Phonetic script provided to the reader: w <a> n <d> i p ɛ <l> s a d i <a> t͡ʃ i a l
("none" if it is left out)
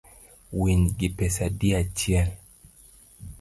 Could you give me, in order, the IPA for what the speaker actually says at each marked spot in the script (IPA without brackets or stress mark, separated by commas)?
i, ɡ, none, a